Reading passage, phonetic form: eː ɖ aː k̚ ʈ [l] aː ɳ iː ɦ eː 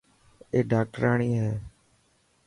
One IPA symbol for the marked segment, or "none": ɾ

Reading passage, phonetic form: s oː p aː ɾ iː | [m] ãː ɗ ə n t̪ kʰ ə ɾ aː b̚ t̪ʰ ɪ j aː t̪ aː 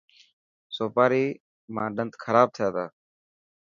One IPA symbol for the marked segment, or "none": m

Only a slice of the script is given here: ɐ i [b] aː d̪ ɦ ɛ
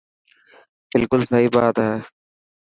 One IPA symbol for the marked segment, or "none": b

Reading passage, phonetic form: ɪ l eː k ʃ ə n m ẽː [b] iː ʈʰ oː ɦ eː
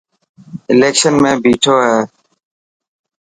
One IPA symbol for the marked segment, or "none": b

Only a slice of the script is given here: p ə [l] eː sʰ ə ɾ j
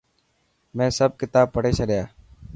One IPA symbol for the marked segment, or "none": ɽ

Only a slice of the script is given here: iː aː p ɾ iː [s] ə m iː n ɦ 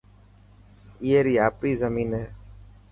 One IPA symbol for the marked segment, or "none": z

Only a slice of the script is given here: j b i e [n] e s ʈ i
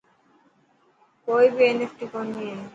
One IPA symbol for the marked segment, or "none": n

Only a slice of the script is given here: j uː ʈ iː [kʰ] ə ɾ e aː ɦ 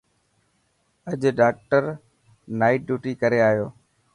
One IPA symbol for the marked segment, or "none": k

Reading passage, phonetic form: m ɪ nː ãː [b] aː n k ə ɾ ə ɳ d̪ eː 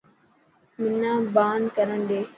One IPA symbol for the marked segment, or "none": b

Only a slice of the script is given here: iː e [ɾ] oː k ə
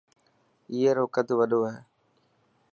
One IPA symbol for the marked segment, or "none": ɾ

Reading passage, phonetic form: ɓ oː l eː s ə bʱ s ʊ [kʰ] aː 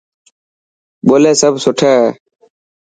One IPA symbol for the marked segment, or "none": ʈʰ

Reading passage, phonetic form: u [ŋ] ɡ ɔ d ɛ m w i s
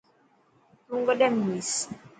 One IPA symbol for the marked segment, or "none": ŋ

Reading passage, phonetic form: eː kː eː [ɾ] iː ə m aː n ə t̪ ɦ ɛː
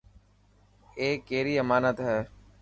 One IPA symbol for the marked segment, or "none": ɾ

